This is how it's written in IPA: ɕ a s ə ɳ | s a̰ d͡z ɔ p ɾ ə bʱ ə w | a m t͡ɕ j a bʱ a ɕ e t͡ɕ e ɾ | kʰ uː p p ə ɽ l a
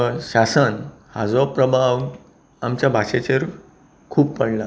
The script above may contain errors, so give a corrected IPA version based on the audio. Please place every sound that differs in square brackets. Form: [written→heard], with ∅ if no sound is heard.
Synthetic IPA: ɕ a s ə [ɳ→n] | [s→h] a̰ d͡z ɔ p ɾ ə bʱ [ə→a] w | a m t͡ɕ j a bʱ a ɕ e t͡ɕ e ɾ | kʰ uː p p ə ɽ l a

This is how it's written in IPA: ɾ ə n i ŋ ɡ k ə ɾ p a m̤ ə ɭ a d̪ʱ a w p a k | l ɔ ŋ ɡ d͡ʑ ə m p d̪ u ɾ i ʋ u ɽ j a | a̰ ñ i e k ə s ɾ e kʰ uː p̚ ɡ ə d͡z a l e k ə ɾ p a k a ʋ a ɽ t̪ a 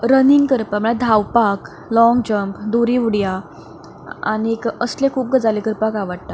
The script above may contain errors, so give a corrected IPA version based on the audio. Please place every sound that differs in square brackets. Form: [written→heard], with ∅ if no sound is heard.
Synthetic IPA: ɾ ə n i ŋ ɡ k ə ɾ p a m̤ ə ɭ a d̪ʱ a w p a k | l ɔ ŋ ɡ d͡ʑ ə m p d̪ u ɾ i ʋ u ɽ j a | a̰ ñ i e k ə s [ɾ→l] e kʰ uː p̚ ɡ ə d͡z a l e k ə ɾ p a k a ʋ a ɽ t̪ a

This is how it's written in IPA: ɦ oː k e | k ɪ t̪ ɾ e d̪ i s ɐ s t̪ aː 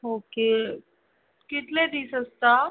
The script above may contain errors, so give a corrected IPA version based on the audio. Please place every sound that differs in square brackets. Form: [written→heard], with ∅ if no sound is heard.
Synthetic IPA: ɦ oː k e | k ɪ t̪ [ɾ→l] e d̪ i s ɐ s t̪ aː

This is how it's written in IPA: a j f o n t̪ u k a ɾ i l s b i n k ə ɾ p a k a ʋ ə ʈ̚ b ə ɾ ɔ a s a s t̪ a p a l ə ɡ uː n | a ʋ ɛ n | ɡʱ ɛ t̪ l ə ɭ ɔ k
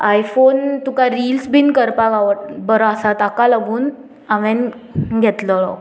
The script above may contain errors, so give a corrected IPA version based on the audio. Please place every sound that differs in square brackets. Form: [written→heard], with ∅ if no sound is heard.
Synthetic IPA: a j f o n t̪ u k a ɾ i l s b i n k ə ɾ p a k a ʋ ə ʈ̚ b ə ɾ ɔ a s a [s→∅] t̪ a [p→k] a l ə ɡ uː n | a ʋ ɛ n | ɡʱ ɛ t̪ l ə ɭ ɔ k

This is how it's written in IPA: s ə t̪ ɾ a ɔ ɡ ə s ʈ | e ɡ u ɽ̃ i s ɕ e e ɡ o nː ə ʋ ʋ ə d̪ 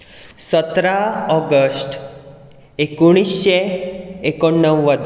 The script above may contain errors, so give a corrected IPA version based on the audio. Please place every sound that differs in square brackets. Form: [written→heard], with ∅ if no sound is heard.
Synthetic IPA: s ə t̪ ɾ a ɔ ɡ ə s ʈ | e [ɡ→k] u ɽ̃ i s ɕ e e [ɡ→k] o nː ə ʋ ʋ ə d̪

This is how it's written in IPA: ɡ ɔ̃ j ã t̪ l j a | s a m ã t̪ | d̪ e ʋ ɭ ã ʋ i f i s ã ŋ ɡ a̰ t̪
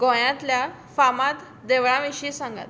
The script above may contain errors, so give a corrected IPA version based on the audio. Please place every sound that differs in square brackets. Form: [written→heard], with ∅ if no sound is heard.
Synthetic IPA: ɡ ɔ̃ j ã t̪ l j a | [s→f] a m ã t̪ | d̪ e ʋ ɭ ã ʋ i [f→ɕ] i s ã ŋ ɡ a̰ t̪

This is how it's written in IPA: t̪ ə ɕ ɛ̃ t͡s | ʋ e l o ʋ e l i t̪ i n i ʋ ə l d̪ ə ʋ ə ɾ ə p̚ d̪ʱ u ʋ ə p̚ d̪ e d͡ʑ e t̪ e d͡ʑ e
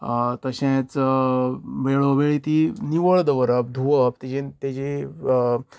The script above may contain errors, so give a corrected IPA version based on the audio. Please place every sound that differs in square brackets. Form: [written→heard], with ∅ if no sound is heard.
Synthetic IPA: t̪ ə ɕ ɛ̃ t͡s | ʋ e [l→ɭ] o ʋ e [l→ɭ] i t̪ i n i ʋ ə [l→ɭ] d̪ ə ʋ ə ɾ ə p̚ d̪ʱ u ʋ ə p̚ [d̪→t̪] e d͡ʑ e t̪ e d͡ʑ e

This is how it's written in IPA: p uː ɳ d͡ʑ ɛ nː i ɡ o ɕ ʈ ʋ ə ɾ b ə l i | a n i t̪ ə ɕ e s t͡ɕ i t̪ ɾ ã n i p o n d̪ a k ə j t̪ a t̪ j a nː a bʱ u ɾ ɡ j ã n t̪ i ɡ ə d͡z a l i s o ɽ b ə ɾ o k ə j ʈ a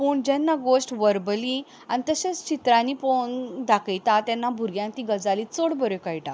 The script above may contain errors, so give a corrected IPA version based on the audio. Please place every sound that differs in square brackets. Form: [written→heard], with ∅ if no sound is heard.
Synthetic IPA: p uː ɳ d͡ʑ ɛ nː [i→a] ɡ o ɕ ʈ ʋ ə ɾ b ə l i | a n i t̪ ə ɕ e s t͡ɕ i t̪ ɾ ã n i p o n d̪ a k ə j t̪ a t̪ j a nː a bʱ u ɾ ɡ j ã n t̪ i ɡ ə d͡z a l i [s→t͡s] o ɽ b ə ɾ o k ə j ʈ a

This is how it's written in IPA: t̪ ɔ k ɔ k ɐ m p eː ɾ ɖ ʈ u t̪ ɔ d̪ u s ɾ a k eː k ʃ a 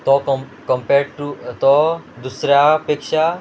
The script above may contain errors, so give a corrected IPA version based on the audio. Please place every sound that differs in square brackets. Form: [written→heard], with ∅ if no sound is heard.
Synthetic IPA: t̪ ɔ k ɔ k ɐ m p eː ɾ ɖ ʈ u t̪ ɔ d̪ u s ɾ a [k→p] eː k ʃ a

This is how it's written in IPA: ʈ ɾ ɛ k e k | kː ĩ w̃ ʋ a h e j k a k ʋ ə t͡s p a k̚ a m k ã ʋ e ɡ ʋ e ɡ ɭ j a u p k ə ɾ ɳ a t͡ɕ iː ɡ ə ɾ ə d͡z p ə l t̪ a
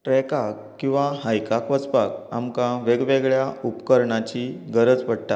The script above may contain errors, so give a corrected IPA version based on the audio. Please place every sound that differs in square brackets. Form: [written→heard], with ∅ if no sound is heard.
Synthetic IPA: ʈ ɾ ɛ k [e→a] k | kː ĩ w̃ ʋ a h [e→a] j k a k ʋ ə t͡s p a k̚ a m k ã ʋ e ɡ ʋ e ɡ ɭ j a u p k ə ɾ ɳ a t͡ɕ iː ɡ ə ɾ ə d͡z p ə [l→ɽ] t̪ a

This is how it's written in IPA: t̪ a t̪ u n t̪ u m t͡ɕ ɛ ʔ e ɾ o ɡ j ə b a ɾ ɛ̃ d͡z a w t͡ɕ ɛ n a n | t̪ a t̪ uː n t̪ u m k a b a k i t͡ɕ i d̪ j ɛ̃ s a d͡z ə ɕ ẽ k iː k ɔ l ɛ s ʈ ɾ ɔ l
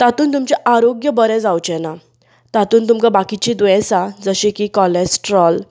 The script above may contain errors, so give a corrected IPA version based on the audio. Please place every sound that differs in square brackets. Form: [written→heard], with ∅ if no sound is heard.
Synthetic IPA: t̪ a t̪ [u→uː] n t̪ u m t͡ɕ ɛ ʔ [e→a] ɾ o ɡ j ə b [a→ə] ɾ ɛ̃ d͡z a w t͡ɕ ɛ n a [n→∅] | t̪ a t̪ uː n t̪ u m k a b a k i t͡ɕ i d̪ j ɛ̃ s a d͡z ə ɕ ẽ k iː k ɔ l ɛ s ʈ ɾ ɔ l

